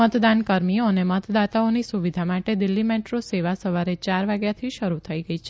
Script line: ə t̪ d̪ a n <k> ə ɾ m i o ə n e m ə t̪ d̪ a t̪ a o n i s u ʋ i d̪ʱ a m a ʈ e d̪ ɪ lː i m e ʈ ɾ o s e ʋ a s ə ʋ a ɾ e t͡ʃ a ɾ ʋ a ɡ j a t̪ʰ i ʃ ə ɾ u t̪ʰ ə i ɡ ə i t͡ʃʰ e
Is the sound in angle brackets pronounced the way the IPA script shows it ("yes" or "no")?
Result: yes